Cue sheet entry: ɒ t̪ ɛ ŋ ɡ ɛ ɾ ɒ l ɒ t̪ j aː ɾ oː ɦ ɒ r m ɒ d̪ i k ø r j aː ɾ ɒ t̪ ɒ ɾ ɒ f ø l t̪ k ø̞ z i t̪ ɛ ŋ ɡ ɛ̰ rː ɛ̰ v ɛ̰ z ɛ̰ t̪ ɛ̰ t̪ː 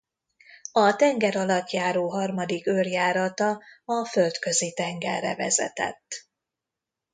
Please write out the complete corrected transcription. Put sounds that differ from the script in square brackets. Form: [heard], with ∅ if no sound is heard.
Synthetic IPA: ɒ t̪ ɛ ŋ ɡ ɛ ɾ ɒ l ɒ t̪ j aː ɾ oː ɦ ɒ r m ɒ d̪ i k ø r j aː ɾ ɒ t̪ ɒ [∅] ɒ f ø l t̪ k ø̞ z i t̪ ɛ ŋ ɡ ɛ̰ rː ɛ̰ v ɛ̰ z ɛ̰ t̪ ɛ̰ t̪ː